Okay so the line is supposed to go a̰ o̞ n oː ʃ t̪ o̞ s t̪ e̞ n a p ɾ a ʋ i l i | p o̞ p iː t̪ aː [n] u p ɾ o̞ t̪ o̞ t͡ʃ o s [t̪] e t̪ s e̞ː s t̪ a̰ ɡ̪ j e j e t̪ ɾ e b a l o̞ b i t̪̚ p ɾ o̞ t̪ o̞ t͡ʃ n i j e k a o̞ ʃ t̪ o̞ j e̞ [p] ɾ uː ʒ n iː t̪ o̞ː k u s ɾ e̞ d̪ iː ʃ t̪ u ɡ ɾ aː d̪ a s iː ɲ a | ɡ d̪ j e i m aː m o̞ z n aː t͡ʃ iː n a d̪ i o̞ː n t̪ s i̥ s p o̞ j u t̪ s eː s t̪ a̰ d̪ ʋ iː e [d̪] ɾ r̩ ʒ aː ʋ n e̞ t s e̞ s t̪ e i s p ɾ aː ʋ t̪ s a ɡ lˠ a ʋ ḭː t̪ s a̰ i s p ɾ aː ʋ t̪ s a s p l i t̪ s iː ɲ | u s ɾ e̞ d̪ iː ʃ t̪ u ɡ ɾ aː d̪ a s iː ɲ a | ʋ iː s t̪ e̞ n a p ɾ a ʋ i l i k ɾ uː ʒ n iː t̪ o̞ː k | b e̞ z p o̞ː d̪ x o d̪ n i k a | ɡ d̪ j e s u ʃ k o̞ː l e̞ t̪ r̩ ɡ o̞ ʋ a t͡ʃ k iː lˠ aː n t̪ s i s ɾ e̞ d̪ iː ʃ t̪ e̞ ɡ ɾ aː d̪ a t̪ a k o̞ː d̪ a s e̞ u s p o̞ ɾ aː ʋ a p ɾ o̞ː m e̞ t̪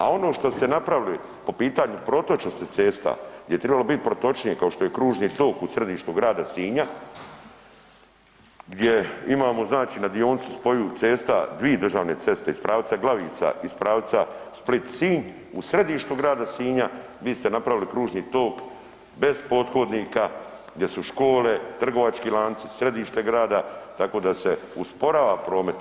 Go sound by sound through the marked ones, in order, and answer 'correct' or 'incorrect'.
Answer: incorrect: ɲ, correct, incorrect: k, correct

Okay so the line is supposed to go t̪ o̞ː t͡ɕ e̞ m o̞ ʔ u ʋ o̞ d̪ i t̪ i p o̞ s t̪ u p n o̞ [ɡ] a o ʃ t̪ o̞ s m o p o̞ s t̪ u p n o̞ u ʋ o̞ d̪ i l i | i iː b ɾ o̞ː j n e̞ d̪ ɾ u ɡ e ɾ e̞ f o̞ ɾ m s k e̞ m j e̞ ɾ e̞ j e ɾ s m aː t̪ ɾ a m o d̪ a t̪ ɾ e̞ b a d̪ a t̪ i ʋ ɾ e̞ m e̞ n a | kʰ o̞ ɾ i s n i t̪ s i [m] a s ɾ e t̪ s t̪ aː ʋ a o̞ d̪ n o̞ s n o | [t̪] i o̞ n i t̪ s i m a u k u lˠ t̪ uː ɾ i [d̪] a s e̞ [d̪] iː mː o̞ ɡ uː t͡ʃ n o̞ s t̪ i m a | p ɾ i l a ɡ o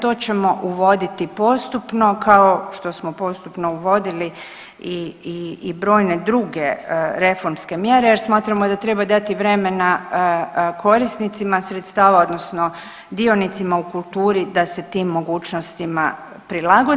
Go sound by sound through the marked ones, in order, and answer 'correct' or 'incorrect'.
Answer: incorrect: k, correct, incorrect: d̪, correct, incorrect: t̪

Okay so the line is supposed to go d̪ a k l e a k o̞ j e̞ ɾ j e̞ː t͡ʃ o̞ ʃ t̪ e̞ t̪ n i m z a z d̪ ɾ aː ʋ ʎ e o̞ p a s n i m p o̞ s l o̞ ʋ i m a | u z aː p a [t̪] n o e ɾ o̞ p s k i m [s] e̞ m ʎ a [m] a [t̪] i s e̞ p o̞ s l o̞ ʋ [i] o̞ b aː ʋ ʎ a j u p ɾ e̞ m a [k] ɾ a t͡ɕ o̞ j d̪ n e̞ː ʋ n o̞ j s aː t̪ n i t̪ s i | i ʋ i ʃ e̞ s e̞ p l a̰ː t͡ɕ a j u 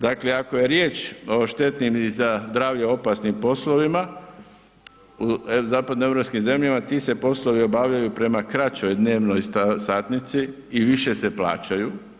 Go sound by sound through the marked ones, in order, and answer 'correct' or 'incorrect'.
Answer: incorrect: d̪, incorrect: z, correct, correct, correct, correct

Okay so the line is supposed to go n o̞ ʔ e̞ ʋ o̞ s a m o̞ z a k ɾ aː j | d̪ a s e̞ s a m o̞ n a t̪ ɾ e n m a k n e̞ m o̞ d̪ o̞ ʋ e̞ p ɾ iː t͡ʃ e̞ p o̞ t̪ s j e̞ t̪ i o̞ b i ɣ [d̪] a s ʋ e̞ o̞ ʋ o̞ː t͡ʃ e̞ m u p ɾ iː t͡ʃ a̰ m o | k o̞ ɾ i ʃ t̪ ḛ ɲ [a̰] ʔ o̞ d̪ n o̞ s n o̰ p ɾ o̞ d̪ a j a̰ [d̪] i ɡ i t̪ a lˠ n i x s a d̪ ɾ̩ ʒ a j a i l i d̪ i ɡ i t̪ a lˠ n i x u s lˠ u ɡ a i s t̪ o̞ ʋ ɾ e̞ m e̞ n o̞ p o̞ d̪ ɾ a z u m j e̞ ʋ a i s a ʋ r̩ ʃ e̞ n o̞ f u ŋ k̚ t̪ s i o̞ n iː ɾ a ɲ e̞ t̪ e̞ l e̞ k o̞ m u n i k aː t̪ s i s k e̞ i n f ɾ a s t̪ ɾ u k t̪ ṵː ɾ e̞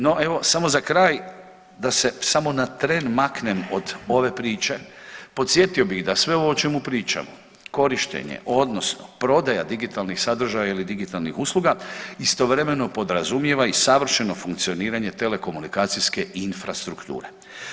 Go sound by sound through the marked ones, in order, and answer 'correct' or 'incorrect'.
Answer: correct, incorrect: ḛ, correct

